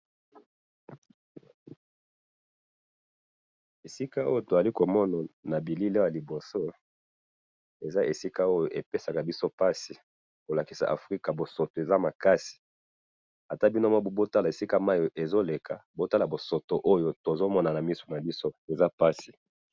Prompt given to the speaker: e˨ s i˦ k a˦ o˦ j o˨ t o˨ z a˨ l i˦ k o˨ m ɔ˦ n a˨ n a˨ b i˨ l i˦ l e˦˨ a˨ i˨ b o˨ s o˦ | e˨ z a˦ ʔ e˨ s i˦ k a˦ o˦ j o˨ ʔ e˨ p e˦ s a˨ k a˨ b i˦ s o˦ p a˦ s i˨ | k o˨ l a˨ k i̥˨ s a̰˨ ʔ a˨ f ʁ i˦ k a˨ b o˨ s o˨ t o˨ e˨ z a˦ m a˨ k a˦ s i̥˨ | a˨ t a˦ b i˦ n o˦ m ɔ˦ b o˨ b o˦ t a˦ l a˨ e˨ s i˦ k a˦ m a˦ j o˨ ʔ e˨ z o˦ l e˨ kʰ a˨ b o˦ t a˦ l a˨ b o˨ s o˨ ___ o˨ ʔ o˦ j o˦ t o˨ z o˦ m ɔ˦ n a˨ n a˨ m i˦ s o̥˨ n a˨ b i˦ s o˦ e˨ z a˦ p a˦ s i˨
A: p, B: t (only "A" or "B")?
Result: B